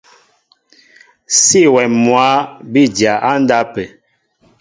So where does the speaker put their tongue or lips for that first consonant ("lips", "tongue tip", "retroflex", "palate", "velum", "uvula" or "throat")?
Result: tongue tip